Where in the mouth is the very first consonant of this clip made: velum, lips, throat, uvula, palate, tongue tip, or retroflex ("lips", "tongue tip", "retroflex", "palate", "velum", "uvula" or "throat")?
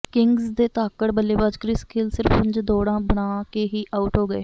velum